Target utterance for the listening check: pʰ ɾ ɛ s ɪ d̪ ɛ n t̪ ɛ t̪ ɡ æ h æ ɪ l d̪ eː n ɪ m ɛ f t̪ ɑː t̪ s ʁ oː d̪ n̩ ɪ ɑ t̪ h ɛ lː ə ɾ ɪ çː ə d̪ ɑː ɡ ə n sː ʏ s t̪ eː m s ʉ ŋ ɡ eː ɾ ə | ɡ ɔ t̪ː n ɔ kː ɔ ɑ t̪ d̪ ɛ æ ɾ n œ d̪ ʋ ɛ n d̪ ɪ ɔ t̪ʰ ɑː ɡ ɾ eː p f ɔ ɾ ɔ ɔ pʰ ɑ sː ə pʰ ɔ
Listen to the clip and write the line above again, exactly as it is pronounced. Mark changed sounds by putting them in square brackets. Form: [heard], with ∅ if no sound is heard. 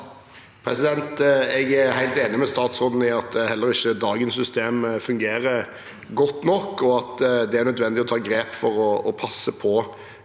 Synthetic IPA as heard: pʰ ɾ ɛ s ɪ d̪ ɛ n t̪ ɛ [∅] ɡ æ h æ ɪ l [t̪] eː n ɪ m ɛ [s] t̪ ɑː t̪ s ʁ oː d̪ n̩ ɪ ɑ t̪ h ɛ lː ə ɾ ɪ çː ə d̪ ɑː ɡ ə n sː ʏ s t̪ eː m [f] ʉ ŋ ɡ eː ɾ ə | ɡ ɔ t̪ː n ɔ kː ɔ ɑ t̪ d̪ ɛ æ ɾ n œ d̪ ʋ ɛ n d̪ ɪ ɔ t̪ʰ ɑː ɡ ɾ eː p f ɔ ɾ ɔ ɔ pʰ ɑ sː ə pʰ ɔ